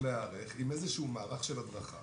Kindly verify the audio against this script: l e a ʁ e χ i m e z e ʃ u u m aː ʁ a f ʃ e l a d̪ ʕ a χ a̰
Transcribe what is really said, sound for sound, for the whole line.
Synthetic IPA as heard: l e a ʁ e χ i m e z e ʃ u u m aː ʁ a χ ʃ e l a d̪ ʁ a χ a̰